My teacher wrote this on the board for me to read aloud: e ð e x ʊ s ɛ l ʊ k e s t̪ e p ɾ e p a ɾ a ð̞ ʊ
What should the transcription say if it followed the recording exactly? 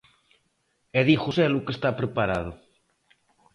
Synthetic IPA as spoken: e ð i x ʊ s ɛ l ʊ k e s t̪ a p ɾ e p a ɾ a ð̞ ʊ